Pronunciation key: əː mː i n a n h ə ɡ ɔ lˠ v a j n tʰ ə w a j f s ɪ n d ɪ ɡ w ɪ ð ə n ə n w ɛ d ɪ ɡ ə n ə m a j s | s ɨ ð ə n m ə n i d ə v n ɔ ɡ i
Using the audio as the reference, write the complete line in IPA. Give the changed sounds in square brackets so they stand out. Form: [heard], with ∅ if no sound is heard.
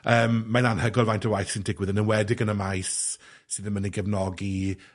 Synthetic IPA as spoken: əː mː [a] n a n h ə ɡ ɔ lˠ v a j n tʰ ə w a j [θ] s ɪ n d ɪ ɡ w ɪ ð ə n ə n w ɛ d ɪ ɡ ə n ə m a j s | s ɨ ð ə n m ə n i [ɡ] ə v n ɔ ɡ i